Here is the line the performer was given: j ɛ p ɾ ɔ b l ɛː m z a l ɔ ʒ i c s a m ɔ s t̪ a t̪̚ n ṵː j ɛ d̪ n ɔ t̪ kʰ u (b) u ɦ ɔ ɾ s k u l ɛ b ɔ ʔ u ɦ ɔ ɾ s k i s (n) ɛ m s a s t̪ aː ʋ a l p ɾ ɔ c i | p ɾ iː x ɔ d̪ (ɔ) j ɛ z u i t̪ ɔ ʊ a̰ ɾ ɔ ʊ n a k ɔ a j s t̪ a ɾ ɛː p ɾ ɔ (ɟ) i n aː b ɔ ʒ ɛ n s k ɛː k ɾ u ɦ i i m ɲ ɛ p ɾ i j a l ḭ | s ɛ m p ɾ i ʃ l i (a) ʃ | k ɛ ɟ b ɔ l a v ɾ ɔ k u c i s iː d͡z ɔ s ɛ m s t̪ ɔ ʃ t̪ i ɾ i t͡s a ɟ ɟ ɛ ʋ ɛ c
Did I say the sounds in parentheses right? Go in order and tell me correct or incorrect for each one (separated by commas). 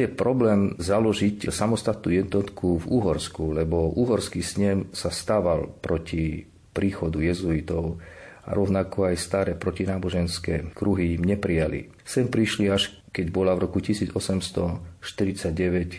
incorrect, incorrect, incorrect, incorrect, correct